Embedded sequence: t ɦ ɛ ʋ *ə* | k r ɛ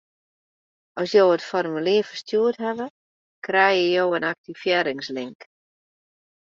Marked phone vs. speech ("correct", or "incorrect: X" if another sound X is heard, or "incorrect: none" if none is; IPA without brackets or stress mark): correct